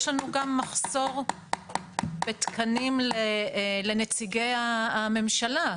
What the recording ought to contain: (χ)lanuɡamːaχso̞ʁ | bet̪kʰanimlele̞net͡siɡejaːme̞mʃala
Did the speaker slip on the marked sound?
yes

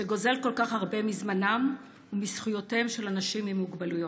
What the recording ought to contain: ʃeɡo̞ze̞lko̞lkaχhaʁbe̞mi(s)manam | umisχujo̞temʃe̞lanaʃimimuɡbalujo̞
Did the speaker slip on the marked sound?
yes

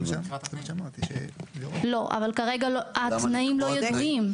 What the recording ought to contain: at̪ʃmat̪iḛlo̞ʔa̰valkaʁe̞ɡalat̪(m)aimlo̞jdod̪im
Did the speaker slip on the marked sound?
yes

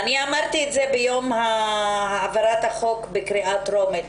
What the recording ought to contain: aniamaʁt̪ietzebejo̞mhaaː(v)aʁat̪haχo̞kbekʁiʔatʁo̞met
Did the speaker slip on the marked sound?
no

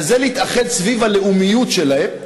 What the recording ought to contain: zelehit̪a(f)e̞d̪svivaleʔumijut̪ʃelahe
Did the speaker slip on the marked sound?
yes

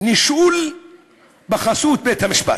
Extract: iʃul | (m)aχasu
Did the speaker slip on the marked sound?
yes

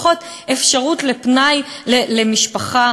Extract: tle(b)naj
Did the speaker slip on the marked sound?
yes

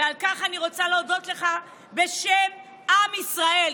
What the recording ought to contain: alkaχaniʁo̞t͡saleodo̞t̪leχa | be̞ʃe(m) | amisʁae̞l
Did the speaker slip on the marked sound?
no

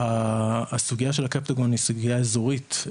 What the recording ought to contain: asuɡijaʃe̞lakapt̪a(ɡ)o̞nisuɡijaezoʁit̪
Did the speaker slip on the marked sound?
no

